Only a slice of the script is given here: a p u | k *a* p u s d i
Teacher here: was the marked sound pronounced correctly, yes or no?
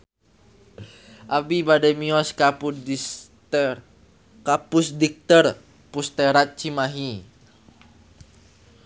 yes